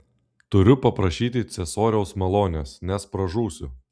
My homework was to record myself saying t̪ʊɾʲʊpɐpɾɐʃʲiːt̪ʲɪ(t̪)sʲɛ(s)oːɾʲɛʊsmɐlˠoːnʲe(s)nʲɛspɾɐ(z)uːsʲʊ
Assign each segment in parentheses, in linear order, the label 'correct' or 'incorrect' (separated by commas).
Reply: correct, correct, correct, incorrect